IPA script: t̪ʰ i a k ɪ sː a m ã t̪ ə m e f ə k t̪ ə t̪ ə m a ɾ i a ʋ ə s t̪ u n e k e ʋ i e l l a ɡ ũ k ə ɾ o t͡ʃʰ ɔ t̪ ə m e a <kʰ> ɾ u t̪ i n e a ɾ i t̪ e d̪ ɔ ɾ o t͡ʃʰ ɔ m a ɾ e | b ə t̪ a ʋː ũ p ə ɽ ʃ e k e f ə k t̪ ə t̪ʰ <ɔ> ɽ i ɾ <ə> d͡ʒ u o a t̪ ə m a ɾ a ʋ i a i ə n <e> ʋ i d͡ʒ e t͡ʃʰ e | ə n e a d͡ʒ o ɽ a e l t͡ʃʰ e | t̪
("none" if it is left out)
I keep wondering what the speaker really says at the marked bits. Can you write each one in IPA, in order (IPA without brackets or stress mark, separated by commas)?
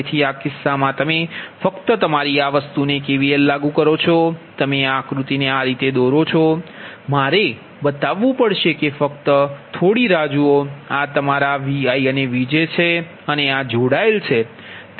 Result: k, o, a, e